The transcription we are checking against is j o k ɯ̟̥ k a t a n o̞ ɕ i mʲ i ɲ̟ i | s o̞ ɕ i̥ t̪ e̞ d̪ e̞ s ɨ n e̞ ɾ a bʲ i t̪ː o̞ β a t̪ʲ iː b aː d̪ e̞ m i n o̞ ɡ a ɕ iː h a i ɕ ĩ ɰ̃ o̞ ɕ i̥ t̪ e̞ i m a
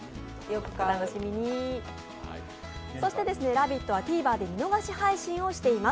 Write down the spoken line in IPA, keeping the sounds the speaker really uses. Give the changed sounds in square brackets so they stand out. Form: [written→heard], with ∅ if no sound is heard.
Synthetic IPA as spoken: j o k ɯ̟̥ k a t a n o̞ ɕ i mʲ i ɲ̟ i | s o̞ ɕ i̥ t̪ e̞ d̪ e̞ s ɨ n e̞ ɾ a bʲ i t̪ː o̞ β a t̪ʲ iː b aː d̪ e̞ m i n o̞ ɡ a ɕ [iː→i] h a i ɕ ĩ ɰ̃ o̞ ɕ i̥ t̪ e̞ i m a